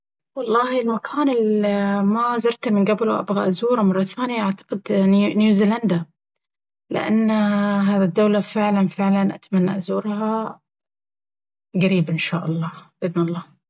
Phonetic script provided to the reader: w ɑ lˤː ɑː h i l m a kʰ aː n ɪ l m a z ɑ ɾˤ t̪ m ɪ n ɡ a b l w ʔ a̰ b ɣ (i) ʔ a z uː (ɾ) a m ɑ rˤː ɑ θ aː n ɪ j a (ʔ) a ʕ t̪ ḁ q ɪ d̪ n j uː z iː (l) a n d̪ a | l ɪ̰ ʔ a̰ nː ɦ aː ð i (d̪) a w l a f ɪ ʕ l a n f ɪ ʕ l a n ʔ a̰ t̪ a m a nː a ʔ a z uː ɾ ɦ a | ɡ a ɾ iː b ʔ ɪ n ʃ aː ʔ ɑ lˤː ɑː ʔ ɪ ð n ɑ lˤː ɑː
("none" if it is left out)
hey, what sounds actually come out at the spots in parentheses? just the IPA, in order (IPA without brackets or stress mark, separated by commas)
a, ɾ, ʔ, l, d̪ː